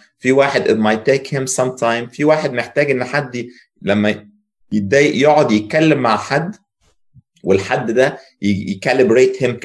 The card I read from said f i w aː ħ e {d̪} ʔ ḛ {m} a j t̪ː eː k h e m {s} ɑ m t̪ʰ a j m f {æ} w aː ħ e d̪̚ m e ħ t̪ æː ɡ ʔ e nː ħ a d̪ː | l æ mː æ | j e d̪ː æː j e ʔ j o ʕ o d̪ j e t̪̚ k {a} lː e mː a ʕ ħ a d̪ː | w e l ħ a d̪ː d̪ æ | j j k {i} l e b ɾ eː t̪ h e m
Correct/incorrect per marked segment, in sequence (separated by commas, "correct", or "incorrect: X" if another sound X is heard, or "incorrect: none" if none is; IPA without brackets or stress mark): correct, correct, correct, incorrect: i, incorrect: æ, incorrect: æ